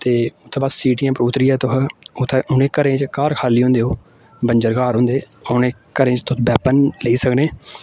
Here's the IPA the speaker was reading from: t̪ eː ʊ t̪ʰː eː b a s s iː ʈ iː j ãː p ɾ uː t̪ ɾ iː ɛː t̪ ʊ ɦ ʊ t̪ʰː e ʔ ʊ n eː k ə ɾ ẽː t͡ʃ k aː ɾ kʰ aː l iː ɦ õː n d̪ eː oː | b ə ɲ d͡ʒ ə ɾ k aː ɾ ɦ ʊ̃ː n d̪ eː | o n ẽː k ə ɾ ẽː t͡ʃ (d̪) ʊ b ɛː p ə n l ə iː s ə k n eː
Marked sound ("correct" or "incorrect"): incorrect